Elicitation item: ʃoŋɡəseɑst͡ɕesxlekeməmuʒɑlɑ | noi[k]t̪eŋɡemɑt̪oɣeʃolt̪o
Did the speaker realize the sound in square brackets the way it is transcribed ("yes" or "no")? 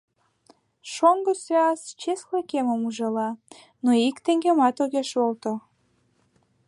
yes